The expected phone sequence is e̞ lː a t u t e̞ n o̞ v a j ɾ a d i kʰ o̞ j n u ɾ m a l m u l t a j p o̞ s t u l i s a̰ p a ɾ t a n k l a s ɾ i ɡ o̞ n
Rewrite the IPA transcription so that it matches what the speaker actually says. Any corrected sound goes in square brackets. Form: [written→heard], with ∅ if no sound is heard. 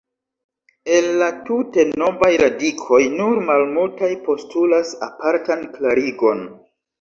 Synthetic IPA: e̞ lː a t u t e̞ n o̞ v a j ɾ a d i kʰ o̞ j n u ɾ m a l m u l t a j p o̞ s t u l [i→a] s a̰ p a ɾ t a n k l a [s→∅] ɾ i ɡ o̞ n